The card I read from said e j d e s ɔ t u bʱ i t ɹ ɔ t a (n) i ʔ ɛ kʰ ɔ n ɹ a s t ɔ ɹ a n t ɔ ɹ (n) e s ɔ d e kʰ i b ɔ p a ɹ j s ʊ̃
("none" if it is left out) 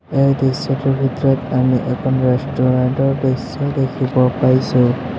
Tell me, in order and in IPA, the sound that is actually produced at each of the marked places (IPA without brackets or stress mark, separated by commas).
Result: m, d